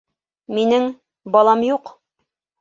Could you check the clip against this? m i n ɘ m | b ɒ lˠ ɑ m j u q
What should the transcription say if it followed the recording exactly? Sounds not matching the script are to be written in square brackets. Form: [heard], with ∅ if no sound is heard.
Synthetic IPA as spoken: m i n ɘ [ŋ] | b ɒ lˠ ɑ m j u q